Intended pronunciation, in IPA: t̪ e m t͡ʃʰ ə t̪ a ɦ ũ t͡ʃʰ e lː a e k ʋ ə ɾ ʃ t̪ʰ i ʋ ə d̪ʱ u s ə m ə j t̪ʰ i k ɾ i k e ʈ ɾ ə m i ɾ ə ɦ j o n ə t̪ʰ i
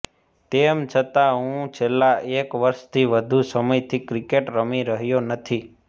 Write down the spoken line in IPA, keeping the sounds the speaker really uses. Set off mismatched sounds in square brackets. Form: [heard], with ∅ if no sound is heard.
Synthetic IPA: t̪ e m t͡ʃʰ ə t̪ a ɦ ũ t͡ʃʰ e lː a e k ʋ ə ɾ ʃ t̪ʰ i ʋ ə d̪ʱ u s ə m ə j t̪ʰ i k ɾ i k e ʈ ɾ ə m i ɾ ə ɦ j o n ə t̪ʰ i